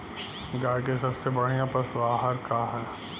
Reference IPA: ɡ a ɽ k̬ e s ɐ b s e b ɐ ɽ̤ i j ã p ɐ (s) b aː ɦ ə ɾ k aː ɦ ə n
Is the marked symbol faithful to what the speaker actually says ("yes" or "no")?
yes